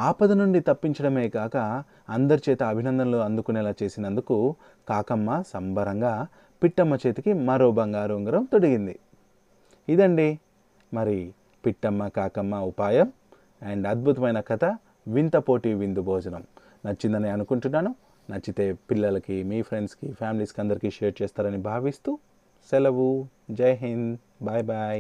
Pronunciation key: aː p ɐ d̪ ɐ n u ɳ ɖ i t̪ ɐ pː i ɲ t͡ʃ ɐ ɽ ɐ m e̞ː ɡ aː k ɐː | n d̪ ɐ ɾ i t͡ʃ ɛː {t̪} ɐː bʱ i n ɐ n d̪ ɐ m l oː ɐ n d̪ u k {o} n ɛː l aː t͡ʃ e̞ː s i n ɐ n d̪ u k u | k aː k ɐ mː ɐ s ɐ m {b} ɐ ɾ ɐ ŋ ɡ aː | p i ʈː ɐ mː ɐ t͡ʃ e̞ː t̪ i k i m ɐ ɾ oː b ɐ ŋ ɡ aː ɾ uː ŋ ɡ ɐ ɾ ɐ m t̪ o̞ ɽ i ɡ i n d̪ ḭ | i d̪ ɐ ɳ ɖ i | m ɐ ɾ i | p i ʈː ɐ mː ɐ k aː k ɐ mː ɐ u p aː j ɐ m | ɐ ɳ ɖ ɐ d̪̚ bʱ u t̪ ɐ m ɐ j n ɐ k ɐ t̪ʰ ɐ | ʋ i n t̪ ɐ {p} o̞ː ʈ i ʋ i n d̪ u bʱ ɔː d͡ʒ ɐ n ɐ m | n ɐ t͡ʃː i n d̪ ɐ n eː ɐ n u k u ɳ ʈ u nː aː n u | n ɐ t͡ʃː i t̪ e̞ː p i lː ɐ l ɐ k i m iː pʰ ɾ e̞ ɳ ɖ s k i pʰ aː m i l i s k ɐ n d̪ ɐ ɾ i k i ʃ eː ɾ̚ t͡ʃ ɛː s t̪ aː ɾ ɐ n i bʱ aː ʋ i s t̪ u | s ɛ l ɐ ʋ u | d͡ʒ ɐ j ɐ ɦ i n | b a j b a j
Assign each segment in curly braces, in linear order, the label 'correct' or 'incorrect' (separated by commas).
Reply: correct, incorrect, correct, correct